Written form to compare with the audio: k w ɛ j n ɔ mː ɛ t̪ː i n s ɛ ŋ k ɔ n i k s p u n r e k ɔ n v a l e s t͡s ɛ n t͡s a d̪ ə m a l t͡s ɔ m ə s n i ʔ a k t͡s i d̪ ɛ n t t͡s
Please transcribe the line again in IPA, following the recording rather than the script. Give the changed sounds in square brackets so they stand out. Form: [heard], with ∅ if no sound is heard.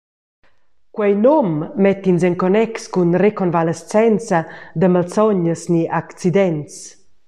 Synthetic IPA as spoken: k w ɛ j n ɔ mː ɛ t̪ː i n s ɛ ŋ k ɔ n [ɛ] k s [k] u n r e k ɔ n v a l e s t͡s ɛ n t͡s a d̪ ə m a l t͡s ɔ [ɲ] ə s n i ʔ a k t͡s i d̪ ɛ n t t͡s